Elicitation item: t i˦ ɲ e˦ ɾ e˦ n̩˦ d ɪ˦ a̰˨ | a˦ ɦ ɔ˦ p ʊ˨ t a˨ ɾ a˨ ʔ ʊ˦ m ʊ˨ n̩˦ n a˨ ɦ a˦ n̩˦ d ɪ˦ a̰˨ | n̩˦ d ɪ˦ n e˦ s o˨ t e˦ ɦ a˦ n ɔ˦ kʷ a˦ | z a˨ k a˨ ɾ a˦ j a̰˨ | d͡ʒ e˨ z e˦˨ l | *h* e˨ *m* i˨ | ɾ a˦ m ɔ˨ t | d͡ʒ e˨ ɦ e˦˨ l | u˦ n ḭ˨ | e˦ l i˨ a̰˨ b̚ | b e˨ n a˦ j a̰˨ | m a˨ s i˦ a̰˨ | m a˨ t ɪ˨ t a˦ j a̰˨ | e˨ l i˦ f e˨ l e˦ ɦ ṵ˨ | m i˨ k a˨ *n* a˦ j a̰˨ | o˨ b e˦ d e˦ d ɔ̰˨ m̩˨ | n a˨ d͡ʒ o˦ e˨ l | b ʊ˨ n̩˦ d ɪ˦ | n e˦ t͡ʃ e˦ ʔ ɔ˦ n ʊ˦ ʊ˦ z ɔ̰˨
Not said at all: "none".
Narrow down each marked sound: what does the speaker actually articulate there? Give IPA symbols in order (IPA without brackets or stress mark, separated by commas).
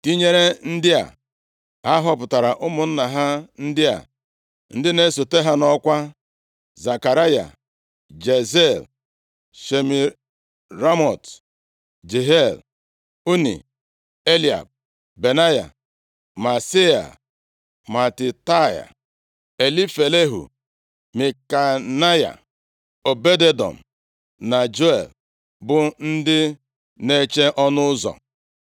ʃ, m, n